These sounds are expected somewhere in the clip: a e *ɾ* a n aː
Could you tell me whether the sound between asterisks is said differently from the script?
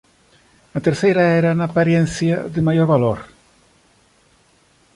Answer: no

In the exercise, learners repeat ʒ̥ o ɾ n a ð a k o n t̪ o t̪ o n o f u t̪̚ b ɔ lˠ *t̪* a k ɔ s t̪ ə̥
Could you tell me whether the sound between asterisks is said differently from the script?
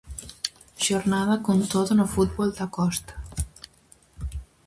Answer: yes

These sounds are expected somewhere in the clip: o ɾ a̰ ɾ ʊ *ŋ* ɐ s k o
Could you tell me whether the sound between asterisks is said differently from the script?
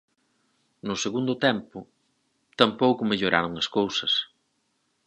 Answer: no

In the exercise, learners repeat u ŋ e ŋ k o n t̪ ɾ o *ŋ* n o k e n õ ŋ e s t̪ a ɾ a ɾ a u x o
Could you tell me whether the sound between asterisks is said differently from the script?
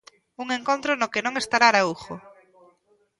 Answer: yes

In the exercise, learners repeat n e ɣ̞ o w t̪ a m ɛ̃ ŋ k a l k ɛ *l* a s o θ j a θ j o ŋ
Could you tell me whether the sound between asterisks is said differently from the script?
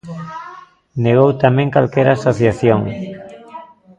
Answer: yes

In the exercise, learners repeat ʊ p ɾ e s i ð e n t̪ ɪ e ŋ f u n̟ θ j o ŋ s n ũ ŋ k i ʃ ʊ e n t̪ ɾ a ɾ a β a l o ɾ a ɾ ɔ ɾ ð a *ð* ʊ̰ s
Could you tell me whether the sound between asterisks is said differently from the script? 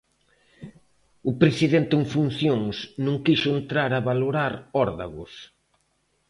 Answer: yes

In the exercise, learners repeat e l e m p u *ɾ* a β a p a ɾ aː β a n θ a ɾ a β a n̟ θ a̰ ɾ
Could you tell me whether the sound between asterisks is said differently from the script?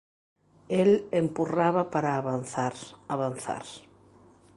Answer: yes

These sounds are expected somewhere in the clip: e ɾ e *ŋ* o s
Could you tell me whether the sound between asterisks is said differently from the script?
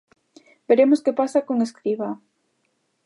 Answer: yes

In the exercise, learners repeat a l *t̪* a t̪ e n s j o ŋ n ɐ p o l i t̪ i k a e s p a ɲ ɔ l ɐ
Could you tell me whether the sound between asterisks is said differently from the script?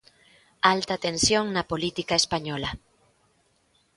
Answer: no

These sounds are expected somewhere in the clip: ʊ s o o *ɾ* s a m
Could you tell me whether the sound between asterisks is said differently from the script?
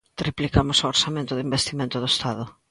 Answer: no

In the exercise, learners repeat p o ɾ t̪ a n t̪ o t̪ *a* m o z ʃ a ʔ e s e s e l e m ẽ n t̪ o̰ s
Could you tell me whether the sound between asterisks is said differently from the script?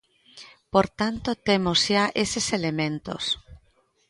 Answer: yes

